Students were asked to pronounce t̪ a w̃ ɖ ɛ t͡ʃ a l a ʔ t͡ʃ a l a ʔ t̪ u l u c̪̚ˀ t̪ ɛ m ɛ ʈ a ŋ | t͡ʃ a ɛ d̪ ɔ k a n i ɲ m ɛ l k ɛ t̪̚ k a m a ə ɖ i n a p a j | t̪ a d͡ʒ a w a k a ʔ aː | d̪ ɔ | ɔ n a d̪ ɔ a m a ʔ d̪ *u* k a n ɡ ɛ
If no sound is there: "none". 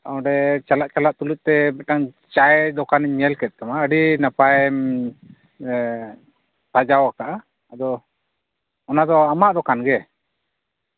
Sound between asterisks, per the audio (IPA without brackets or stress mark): ɔ